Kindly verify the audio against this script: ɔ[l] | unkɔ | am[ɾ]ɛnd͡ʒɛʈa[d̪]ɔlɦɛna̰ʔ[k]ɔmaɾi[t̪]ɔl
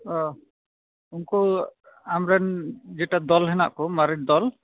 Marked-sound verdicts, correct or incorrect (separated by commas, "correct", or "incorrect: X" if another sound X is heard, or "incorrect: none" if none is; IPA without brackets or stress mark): incorrect: none, correct, correct, correct, incorrect: d̪